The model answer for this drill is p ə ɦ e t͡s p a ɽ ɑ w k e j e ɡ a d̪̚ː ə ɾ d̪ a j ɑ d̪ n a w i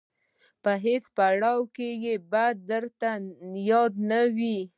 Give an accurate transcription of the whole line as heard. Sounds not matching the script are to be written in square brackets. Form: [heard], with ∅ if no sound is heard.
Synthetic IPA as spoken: p ə ɦ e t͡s p a ɽ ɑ w k e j e [b] a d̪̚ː ə ɾ [t̪] a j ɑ d̪ n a w i